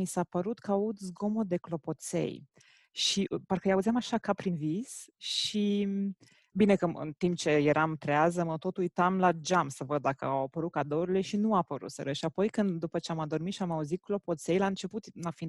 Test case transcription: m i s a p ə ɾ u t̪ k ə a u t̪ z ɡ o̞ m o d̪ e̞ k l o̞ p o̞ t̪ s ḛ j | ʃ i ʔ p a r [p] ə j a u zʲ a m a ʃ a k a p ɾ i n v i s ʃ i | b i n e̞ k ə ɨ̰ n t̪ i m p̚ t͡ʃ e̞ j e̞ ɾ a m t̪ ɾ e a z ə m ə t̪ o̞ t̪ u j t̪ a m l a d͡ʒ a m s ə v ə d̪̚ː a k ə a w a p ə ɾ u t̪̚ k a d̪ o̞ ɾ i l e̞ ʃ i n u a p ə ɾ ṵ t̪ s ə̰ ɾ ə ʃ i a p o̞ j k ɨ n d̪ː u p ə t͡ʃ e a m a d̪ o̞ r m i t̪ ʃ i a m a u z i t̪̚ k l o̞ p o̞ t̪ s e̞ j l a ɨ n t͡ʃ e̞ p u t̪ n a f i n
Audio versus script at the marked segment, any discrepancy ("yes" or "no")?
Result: yes